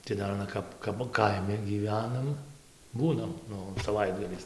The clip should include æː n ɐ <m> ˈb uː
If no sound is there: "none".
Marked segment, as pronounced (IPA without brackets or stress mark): m